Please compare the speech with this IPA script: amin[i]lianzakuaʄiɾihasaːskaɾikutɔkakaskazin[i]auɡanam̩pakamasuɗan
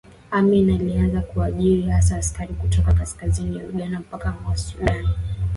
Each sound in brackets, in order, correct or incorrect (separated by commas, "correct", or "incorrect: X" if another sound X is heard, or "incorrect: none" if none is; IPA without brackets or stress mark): incorrect: a, correct